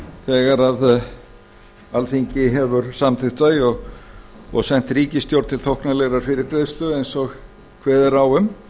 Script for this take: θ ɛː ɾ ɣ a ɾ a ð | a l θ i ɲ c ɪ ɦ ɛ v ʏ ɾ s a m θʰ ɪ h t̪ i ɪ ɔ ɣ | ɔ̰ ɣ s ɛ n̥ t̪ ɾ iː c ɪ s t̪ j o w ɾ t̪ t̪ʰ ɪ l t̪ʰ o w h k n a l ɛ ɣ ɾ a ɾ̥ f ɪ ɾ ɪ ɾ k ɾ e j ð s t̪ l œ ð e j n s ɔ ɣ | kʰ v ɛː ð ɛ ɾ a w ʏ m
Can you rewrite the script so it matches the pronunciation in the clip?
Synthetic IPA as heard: θ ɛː ɣ a ɾ a ð | a l θ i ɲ c ɪ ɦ ɛ v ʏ ɾ s a m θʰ ɪ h t̪ a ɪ ɔ ɣ | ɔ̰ ɣ s ɛ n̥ t̪ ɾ iː c ɪ s t̪ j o w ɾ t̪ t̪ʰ ɪ l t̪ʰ o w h k n a l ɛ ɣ ɾ a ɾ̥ f ɪ ɾ ɪ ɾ k ɾ e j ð s t̪ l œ ð e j n s ɔ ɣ | kʰ v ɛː ð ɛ ɾ a w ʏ m